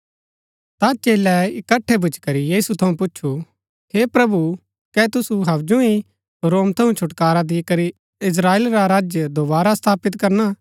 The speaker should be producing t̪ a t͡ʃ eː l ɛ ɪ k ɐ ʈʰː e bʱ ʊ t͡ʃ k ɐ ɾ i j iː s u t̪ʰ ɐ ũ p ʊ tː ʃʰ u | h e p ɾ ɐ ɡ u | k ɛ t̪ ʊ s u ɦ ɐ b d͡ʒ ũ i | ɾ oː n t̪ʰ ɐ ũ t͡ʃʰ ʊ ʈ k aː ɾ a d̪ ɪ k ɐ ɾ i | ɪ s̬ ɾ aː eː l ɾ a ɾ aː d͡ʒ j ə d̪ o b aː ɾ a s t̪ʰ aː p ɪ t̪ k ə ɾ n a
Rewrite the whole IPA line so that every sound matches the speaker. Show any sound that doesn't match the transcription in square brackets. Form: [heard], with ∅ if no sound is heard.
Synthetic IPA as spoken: t̪ a t͡ʃ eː l ɛ ɪ k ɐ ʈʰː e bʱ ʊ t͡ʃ k ɐ ɾ i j iː s u t̪ʰ ɐ ũ p ʊ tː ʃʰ u | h e p ɾ ɐ [b] u | k ɛ t̪ ʊ s u ɦ ɐ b d͡ʒ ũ i | ɾ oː [m] t̪ʰ ɐ ũ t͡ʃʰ ʊ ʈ k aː ɾ a d̪ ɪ k ɐ ɾ i | ɪ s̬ ɾ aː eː l ɾ a ɾ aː d͡ʒ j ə d̪ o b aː ɾ a s t̪ʰ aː p ɪ t̪ k [ɐ] ɾ n a